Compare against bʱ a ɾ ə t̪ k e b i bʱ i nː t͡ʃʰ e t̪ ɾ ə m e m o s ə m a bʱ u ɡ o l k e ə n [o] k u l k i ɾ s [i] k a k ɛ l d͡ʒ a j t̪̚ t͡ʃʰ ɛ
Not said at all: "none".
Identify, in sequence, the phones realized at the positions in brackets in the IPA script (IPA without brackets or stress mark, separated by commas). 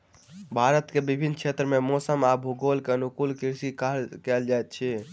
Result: u, i